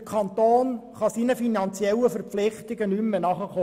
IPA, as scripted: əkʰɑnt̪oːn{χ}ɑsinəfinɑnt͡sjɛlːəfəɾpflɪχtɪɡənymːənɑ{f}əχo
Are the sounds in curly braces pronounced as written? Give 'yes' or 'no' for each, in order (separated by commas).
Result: yes, no